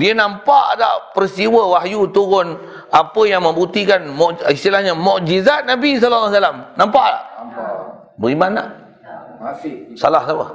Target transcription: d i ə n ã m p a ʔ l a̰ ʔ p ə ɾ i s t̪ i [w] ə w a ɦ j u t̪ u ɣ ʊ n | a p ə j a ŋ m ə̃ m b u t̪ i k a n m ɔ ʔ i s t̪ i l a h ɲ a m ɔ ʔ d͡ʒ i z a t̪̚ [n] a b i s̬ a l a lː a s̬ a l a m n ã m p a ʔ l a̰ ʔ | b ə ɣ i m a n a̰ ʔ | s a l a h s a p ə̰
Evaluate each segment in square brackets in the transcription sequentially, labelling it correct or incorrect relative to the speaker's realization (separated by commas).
correct, correct